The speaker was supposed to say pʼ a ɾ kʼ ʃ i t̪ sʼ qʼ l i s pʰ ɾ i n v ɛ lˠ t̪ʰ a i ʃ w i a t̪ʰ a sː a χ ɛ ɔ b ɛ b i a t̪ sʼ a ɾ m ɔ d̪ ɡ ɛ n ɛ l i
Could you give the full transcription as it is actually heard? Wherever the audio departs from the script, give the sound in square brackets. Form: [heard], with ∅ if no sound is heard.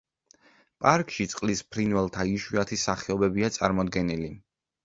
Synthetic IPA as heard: pʼ a ɾ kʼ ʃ i t̪ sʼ qʼ l i s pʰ ɾ i n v ɛ lˠ t̪ʰ a i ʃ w i a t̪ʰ [i] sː a χ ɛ ɔ b ɛ b i a t̪ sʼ a ɾ m ɔ d̪ ɡ ɛ n [i] l i